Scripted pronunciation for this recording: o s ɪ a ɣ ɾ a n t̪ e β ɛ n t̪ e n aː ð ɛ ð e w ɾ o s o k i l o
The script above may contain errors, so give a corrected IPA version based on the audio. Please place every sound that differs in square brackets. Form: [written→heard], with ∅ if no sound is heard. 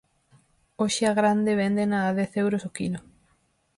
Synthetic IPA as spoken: o [s→ʃ] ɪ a ɣ ɾ a n [t̪→d̪] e β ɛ n [t̪→d̪] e n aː ð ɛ [ð→θ] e w ɾ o s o k i l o